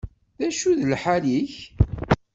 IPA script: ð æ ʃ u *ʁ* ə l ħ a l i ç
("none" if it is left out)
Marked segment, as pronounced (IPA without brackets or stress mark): ð